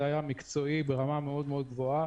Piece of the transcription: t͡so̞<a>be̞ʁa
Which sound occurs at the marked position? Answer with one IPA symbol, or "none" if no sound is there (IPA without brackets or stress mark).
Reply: i